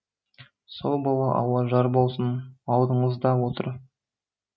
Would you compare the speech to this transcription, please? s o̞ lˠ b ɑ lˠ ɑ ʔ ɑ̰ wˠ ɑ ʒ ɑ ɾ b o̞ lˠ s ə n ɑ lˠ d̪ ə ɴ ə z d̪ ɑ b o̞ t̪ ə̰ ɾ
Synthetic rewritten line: s o̞ lˠ b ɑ lˠ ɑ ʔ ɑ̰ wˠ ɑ ʒ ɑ ɾ b o̞ lˠ s ə n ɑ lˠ d̪ ə ɴ ə z d̪ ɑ w o̞ t̪ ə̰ ɾ